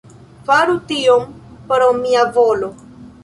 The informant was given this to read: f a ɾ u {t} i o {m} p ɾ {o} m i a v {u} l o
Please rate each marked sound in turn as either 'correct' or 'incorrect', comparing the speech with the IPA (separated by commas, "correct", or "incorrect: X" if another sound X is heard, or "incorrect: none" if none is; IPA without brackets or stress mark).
correct, correct, correct, incorrect: o